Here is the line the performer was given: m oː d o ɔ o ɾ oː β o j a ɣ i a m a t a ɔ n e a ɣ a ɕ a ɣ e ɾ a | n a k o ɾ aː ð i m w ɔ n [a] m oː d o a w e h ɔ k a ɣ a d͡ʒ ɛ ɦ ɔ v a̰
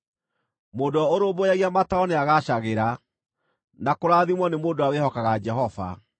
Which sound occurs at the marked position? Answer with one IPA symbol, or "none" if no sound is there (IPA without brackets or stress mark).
e